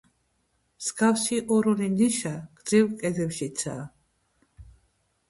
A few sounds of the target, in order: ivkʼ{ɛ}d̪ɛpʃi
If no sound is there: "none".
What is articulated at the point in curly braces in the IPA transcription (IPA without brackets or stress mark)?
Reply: ɛ